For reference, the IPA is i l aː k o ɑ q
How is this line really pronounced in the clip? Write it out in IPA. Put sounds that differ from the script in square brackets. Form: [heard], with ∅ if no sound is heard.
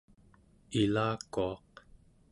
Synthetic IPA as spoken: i l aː k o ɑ q